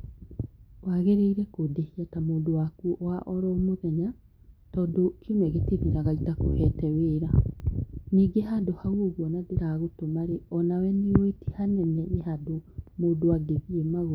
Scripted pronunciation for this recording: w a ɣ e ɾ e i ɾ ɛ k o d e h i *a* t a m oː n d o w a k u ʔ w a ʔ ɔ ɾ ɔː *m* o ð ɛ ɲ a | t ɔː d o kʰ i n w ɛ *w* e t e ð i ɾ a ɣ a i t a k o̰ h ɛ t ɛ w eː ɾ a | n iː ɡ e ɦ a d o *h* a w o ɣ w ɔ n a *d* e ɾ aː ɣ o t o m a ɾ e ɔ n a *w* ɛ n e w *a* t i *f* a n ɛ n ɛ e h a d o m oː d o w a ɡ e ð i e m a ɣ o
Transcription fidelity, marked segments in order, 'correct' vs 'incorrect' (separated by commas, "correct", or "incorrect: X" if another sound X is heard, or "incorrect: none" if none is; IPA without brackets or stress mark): correct, correct, incorrect: ɣ, correct, correct, correct, incorrect: e, incorrect: h